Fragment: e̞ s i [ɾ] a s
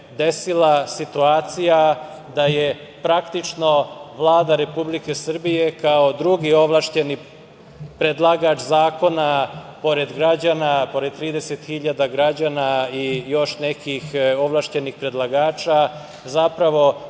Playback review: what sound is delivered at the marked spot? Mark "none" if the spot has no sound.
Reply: l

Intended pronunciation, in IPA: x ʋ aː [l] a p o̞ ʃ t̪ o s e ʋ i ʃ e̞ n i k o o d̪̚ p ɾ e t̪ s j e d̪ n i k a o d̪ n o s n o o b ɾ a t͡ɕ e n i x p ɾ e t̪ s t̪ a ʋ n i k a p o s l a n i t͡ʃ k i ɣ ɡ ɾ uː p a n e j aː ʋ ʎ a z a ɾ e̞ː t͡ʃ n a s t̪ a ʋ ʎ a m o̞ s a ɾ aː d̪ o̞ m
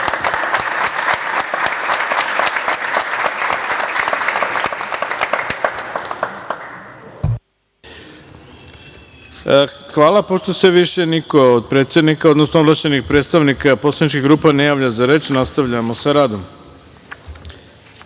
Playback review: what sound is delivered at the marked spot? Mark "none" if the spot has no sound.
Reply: l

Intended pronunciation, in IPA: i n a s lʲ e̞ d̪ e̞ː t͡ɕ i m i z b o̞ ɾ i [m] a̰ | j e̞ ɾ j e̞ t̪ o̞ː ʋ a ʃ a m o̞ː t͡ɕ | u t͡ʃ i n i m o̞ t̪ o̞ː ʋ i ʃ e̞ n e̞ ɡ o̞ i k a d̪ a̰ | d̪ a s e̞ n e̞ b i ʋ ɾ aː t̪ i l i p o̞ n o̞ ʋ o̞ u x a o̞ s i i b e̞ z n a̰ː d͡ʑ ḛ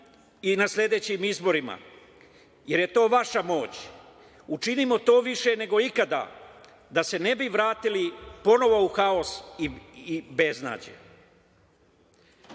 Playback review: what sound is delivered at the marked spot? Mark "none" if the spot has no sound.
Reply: m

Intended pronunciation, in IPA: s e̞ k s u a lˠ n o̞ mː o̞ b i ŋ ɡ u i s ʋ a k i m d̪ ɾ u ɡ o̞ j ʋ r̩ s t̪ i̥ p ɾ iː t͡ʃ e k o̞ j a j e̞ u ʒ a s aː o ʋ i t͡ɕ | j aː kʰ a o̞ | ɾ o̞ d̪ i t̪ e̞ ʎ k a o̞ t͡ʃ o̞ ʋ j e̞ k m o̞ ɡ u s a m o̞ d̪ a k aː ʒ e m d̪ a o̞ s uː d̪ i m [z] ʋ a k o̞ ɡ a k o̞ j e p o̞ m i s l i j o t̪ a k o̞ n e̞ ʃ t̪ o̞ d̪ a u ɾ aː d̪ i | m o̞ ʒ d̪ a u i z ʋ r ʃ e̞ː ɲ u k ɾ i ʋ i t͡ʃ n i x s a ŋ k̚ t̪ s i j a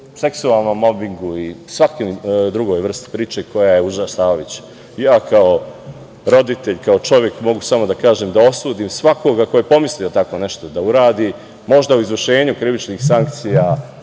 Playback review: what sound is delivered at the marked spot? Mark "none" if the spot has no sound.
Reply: s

